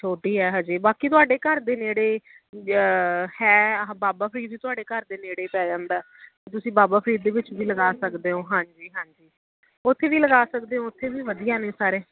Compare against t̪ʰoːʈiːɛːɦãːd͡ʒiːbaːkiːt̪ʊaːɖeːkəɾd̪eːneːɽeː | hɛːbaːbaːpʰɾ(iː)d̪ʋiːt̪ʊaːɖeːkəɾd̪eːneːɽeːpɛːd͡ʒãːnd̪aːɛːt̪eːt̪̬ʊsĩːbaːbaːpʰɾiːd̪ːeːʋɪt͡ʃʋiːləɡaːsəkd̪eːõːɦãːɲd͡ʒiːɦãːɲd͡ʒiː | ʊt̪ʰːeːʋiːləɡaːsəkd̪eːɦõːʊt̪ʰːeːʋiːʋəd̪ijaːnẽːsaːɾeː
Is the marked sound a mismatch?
no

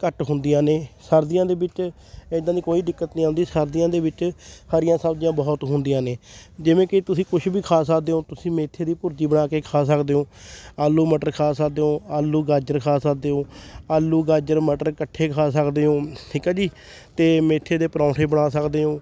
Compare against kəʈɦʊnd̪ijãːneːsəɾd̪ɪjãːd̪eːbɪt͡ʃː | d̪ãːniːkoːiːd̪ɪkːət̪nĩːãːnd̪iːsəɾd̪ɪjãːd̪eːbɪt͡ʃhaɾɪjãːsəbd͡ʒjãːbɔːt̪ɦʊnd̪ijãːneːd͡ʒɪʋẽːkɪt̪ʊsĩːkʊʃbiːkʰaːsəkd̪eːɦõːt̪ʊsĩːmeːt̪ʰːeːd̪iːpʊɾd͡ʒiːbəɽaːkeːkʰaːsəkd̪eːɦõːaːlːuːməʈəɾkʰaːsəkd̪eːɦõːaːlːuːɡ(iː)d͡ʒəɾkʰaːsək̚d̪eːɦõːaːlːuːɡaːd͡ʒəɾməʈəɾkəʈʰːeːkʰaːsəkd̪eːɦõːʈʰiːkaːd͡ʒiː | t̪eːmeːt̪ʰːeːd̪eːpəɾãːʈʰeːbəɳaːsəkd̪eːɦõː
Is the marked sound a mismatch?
yes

